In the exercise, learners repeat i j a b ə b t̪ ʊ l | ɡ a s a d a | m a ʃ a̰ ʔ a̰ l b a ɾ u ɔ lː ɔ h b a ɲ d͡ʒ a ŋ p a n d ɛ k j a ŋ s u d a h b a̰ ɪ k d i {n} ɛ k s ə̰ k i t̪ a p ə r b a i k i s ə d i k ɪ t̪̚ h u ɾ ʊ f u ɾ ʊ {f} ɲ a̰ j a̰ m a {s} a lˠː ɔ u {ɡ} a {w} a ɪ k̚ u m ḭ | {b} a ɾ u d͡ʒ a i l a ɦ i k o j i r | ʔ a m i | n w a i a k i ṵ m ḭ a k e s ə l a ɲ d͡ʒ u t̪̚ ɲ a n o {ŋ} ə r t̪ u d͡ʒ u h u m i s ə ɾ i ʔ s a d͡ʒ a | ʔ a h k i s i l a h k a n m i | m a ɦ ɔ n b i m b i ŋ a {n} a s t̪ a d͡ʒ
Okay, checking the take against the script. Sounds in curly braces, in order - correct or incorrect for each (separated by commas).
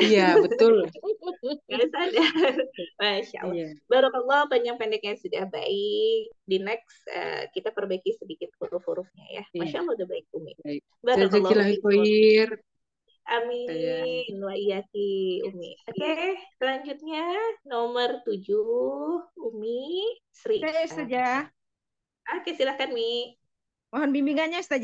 correct, correct, incorrect, incorrect, incorrect, correct, incorrect, incorrect